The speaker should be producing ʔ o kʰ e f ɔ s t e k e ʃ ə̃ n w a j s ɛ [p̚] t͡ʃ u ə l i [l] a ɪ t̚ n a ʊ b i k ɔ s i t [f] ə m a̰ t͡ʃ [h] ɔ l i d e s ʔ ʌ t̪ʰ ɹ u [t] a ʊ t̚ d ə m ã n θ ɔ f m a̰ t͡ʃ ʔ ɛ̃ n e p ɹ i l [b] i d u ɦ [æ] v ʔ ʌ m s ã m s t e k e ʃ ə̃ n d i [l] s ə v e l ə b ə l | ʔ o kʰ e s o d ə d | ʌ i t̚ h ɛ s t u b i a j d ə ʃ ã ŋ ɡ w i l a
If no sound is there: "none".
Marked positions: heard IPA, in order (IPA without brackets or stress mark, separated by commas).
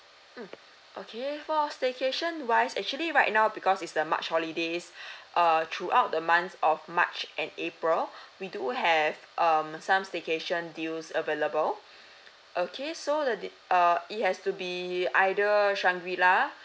k̚, ɹ, s, h, ʔ, w, ɛ, l